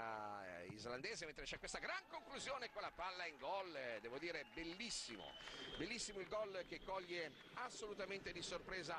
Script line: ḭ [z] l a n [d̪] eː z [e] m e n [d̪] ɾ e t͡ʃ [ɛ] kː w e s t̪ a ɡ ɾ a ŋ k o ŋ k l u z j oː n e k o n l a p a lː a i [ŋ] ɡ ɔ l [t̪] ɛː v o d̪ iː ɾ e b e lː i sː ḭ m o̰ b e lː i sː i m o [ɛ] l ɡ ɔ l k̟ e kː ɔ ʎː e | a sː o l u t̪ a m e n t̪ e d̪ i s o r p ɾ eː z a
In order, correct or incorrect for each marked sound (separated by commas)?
correct, correct, correct, incorrect, correct, correct, incorrect, incorrect